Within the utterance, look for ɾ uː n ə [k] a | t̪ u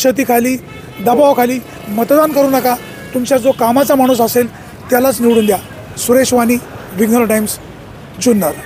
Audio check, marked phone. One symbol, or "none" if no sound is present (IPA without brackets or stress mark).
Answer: k